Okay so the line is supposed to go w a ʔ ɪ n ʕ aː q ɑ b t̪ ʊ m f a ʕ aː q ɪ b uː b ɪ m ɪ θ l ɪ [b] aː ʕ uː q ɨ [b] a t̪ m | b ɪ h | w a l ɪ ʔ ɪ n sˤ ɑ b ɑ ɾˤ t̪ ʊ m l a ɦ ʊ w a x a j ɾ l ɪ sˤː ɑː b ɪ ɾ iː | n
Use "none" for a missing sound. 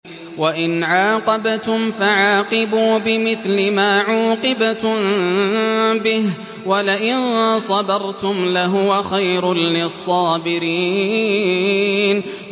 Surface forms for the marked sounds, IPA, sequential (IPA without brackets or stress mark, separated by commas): m, b